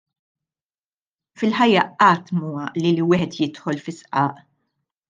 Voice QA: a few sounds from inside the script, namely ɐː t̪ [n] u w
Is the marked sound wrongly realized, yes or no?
yes